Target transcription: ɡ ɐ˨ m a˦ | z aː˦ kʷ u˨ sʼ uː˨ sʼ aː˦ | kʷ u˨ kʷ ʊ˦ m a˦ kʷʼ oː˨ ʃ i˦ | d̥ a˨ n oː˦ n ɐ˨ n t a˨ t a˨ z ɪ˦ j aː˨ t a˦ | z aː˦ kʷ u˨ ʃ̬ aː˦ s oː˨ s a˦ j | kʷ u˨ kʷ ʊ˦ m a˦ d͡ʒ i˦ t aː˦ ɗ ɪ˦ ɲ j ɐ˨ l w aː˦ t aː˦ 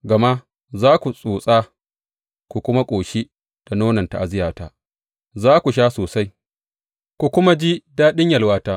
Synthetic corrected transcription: ɡ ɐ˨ m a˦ | z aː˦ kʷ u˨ sʼ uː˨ sʼ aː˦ | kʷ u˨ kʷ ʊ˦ m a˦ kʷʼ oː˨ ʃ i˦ | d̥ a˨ n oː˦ n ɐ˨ n t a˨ ʔ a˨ z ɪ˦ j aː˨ t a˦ | z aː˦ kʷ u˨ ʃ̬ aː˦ s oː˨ s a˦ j | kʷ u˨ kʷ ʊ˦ m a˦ d͡ʒ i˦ d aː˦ ɗ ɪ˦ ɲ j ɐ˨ l w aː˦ t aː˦